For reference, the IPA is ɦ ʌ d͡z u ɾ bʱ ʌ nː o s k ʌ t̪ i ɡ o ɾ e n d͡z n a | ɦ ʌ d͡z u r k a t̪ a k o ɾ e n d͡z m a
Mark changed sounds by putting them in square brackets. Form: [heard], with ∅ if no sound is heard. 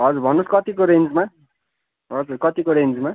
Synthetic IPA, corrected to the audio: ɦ ʌ d͡z u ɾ bʱ ʌ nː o s k ʌ t̪ i [k] o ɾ e n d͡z [m] a | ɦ ʌ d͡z u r k [ʌ] t̪ [i] k o ɾ e n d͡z m a